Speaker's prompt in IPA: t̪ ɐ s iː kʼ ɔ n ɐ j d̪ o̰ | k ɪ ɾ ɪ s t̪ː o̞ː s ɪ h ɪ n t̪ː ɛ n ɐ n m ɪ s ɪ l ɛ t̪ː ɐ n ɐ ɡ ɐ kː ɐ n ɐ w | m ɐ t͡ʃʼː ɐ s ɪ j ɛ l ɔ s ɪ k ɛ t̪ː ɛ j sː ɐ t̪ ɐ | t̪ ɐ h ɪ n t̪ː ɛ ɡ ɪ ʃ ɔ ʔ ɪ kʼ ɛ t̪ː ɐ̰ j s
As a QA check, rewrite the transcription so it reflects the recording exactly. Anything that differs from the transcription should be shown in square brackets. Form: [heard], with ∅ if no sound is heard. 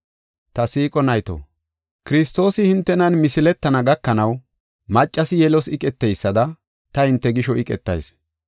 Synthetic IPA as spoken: t̪ ɐ s iː kʼ ɔ n ɐ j [t̪] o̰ | k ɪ ɾ ɪ s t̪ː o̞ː s ɪ h ɪ n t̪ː ɛ n ɐ n m ɪ s ɪ l ɛ t̪ː ɐ n ɐ ɡ ɐ kː ɐ n ɐ w | m ɐ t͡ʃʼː ɐ s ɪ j ɛ l ɔ s ɪ [kʼ] ɛ t̪ː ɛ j sː ɐ [d̪] ɐ | t̪ ɐ h ɪ n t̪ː ɛ ɡ ɪ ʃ ɔ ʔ ɪ kʼ ɛ t̪ː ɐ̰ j s